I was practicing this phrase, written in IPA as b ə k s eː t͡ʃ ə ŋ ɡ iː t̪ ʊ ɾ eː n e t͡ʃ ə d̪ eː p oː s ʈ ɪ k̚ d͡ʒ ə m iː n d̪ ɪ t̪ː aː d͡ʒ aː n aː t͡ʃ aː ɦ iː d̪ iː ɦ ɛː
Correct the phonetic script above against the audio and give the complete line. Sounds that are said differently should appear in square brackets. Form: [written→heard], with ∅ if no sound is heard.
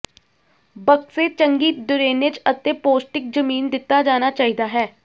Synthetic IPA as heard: b ə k s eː t͡ʃ ə ŋ ɡ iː [t̪→d̪] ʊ ɾ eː n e t͡ʃ ə [d̪→t̪] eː p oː s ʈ ɪ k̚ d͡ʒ ə m iː n d̪ ɪ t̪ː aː d͡ʒ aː n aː t͡ʃ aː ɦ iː d̪ [iː→aː] ɦ ɛː